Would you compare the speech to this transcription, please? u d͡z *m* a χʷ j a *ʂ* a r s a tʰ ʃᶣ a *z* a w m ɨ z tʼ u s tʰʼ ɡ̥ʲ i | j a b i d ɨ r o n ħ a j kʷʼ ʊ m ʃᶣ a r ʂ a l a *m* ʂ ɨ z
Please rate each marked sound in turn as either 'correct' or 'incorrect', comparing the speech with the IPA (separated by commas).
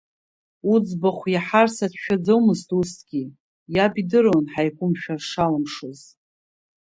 incorrect, incorrect, incorrect, correct